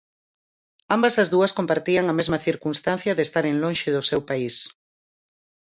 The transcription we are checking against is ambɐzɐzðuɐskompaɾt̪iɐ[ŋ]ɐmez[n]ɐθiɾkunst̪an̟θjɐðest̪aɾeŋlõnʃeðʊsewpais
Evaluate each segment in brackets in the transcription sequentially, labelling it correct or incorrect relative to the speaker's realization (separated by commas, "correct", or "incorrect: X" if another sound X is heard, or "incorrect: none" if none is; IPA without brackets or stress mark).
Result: correct, incorrect: m